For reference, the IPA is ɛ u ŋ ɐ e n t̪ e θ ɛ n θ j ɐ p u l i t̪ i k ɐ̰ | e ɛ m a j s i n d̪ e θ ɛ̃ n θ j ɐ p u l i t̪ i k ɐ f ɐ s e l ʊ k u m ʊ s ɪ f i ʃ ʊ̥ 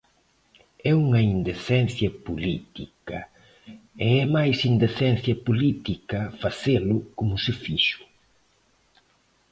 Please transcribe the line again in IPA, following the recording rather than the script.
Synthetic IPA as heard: ɛ u ŋ ɐ i n d̪ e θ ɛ n θ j ɐ p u l i t̪ i k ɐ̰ | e ɛ m a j s i n d̪ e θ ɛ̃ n θ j ɐ p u l i t̪ i k ɐ f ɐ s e l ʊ k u m ʊ s ɪ f i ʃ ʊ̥